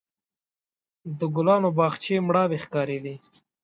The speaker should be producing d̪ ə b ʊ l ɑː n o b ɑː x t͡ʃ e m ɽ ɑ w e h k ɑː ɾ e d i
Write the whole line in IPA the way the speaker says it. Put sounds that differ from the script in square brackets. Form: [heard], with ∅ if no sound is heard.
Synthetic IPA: d̪ ə [ɡ] ʊ l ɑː n o b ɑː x t͡ʃ e m ɽ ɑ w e [x] k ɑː ɾ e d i